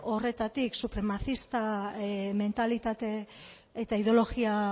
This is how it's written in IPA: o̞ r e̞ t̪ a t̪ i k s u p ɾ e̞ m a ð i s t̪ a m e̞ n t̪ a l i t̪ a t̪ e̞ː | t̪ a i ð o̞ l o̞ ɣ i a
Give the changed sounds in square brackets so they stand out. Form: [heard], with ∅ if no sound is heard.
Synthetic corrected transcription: o̞ r e̞ t̪ a t̪ i k s u p ɾ e̞ m a [θ] i s t̪ a m e̞ n t̪ a l i t̪ a t̪ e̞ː | t̪ a i ð o̞ l o̞ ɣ i a